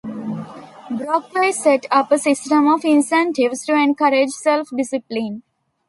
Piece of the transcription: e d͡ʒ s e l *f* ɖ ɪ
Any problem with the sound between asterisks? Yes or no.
no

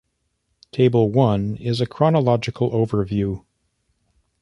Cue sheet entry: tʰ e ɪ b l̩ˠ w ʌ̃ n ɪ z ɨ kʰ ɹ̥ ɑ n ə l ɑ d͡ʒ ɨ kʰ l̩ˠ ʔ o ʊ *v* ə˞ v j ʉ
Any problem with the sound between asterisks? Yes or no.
no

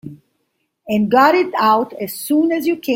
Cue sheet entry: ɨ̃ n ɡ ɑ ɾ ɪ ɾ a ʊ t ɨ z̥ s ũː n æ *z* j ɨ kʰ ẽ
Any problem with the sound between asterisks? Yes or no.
no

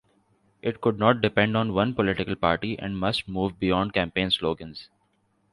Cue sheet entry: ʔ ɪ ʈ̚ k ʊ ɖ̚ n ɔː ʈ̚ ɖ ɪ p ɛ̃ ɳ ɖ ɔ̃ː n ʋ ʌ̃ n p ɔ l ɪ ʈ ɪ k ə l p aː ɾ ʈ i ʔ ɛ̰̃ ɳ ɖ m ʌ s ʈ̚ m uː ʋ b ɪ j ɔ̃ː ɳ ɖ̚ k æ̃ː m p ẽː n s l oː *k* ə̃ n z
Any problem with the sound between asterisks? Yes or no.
yes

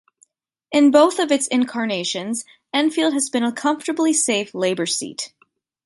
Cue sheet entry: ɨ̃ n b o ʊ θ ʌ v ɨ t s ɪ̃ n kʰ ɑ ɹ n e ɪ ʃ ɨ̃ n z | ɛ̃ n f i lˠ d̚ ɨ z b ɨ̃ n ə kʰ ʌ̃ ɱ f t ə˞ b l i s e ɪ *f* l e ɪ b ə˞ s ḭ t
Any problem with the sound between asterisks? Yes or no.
no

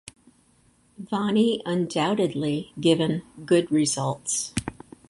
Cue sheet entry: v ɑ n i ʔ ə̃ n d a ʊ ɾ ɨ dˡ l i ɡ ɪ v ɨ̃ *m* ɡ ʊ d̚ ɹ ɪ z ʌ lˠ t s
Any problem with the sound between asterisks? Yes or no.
yes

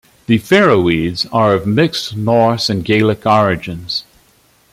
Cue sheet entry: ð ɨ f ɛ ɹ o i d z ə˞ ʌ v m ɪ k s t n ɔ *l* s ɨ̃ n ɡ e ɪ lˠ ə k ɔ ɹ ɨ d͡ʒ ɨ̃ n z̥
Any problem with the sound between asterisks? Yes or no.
yes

